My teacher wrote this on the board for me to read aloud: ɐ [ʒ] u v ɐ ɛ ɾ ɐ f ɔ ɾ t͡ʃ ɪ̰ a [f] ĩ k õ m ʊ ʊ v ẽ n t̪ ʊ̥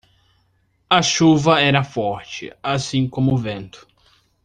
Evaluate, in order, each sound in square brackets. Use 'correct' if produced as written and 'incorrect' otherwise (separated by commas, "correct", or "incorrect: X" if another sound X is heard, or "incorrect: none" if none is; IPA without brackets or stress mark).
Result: incorrect: ʃ, incorrect: s